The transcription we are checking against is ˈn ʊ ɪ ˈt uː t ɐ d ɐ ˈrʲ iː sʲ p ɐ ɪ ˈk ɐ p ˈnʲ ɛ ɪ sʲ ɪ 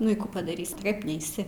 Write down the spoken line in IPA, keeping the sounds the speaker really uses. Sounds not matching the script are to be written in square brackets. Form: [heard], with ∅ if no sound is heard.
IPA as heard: ˈn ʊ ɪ [ˈk] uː [p] ɐ d ɐ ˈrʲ iː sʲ [t] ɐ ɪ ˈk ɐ p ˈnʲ ɛ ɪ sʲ ɪ